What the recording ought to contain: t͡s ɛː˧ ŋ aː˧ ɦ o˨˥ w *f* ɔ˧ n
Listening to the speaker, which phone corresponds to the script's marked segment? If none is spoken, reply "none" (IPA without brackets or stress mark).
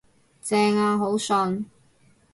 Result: s